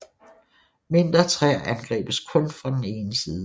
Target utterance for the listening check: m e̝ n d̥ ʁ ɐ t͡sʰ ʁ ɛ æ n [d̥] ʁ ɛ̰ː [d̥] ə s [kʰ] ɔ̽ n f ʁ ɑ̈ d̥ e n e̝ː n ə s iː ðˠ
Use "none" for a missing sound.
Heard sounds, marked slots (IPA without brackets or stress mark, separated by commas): ɡ̥, b̥, kʰ